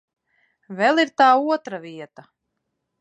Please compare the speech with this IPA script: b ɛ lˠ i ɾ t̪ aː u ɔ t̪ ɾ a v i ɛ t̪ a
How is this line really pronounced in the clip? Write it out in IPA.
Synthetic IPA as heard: v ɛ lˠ i ɾ t̪ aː u ɔ t̪ ɾ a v i ɛ t̪ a